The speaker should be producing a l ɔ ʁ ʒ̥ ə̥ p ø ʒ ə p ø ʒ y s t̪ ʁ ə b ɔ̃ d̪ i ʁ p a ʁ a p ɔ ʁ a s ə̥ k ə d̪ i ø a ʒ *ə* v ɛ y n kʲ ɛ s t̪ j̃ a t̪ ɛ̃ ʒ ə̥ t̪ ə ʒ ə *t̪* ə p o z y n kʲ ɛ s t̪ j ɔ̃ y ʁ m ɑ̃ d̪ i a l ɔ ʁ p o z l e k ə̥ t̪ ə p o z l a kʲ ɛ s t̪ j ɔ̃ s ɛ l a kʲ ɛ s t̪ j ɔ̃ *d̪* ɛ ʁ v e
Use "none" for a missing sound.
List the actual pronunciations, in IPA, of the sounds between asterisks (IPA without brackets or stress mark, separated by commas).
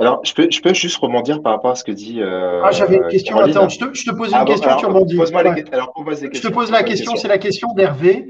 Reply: a, t̪, d̪